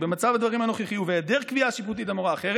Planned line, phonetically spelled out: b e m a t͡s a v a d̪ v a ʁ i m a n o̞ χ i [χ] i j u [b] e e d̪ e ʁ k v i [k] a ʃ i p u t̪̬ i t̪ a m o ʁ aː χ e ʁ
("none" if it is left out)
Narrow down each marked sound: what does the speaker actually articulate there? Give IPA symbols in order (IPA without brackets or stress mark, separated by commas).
χ, v, none